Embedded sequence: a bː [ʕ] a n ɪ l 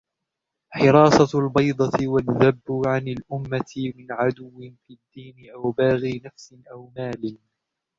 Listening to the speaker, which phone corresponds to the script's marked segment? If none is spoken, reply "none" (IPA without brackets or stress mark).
ʕ